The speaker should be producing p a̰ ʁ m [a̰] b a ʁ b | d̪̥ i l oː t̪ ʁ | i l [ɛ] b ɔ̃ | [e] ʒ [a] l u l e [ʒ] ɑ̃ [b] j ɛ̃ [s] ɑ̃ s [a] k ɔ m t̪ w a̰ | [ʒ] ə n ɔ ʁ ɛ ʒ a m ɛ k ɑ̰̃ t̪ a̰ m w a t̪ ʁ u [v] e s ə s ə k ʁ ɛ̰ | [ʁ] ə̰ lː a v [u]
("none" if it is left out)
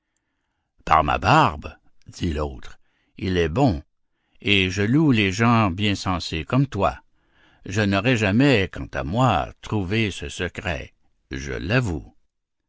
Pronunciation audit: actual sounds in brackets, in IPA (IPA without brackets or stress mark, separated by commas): a̰, ɛ, e, ə, ʒ, b, s, e, ʒ, v, ʒ, u